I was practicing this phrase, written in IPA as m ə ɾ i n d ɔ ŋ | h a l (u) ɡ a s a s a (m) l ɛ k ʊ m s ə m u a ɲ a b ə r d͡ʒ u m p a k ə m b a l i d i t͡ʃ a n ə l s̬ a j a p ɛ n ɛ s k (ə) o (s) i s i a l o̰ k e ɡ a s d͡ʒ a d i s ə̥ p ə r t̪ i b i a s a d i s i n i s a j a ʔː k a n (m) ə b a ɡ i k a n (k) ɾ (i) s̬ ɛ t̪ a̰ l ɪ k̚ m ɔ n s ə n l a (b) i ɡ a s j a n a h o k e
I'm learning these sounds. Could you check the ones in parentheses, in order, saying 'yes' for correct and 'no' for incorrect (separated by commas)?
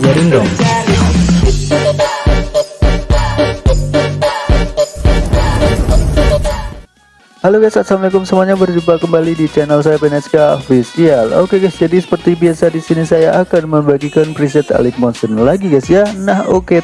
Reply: no, yes, no, no, yes, no, yes, no